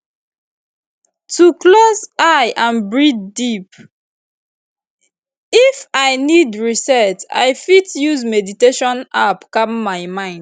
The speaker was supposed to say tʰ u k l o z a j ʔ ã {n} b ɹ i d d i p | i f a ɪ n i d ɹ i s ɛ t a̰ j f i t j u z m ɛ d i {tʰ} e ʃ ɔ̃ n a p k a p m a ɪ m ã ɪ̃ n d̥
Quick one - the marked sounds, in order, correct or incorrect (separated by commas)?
correct, incorrect